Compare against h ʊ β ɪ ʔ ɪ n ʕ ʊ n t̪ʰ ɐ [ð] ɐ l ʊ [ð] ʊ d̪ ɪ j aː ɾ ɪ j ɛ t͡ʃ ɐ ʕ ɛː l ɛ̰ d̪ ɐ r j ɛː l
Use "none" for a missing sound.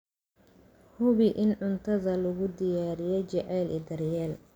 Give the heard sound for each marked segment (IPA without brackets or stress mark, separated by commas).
ð, ɣ